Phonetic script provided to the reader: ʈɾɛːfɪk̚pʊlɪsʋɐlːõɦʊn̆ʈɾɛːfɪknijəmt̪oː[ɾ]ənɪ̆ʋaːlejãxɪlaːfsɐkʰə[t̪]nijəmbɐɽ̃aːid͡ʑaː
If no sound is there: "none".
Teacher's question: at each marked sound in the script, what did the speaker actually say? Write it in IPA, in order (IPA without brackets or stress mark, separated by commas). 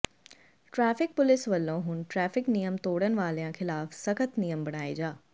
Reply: ɽ, t̪